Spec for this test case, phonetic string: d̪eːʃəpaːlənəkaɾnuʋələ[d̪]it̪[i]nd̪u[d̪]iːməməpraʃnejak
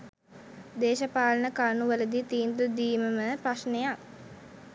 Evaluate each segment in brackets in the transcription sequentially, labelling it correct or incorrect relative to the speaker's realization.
correct, incorrect: iː, correct

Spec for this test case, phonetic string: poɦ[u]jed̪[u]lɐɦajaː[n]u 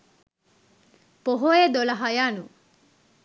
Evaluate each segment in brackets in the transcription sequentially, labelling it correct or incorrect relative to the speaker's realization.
incorrect: o, incorrect: o, correct

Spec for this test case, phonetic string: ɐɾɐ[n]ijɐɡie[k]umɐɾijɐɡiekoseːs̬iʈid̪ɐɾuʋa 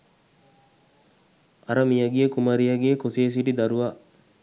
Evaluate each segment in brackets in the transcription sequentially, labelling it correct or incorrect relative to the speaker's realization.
incorrect: m, correct

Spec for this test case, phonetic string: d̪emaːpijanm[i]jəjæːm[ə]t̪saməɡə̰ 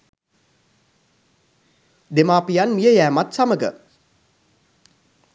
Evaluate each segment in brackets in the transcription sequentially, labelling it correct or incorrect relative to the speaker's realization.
correct, incorrect: a

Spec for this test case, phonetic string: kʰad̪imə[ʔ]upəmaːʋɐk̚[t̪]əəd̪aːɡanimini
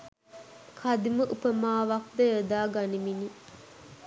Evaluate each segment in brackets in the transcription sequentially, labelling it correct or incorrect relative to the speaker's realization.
correct, incorrect: d̪

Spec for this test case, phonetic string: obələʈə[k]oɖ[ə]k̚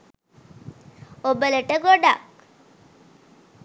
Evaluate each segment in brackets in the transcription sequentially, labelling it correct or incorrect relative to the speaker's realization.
incorrect: ɡ, incorrect: a

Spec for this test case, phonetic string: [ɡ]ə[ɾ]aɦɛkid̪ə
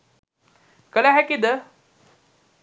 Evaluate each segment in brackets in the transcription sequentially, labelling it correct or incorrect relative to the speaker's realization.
incorrect: k, incorrect: l

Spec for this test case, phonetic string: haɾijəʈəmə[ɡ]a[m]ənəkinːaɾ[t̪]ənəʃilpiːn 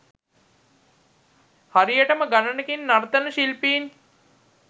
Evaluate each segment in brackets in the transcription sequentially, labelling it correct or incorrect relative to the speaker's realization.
correct, incorrect: n, correct

